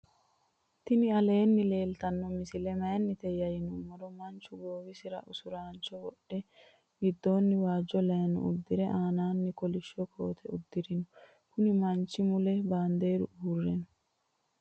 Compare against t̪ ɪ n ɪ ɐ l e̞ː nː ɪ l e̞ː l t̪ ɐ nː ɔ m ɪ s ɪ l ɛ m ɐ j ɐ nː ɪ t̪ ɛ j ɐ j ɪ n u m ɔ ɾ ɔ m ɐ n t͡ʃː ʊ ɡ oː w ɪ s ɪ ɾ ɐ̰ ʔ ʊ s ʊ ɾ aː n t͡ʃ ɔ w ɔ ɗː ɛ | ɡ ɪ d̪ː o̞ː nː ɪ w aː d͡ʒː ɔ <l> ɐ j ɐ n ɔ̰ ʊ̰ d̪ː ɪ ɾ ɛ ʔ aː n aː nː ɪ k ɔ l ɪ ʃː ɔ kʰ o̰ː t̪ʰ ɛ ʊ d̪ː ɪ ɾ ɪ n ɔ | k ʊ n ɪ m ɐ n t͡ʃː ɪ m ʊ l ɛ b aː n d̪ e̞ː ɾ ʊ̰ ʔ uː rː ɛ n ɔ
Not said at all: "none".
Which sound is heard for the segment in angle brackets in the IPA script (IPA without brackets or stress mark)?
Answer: l